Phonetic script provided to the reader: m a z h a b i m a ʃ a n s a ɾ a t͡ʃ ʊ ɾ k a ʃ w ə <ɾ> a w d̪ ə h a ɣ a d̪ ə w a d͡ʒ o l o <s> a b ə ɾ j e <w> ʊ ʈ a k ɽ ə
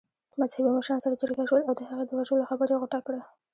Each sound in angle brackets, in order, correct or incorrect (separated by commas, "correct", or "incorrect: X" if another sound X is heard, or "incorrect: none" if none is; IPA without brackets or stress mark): incorrect: l, incorrect: x, incorrect: ɣ